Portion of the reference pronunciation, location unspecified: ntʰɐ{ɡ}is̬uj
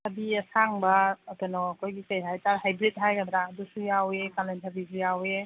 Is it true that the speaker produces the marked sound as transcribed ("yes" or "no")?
no